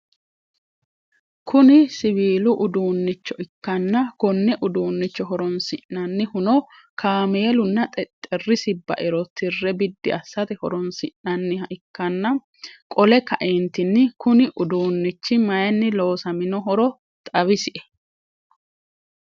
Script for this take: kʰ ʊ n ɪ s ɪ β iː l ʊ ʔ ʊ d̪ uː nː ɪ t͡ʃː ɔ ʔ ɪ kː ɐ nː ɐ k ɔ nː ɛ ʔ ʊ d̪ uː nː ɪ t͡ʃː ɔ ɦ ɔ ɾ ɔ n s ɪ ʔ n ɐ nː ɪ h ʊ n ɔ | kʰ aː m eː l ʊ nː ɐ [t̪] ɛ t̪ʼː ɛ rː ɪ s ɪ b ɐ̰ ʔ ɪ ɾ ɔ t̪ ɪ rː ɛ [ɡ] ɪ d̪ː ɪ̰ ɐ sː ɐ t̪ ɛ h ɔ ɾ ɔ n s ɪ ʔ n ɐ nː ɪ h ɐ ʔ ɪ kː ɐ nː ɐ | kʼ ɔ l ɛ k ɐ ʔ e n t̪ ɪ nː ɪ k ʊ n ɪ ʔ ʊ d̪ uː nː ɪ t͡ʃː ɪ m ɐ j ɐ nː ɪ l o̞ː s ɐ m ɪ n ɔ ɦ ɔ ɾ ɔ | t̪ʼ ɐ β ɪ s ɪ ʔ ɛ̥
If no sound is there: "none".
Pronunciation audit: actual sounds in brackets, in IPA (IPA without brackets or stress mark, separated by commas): t̪ʼ, b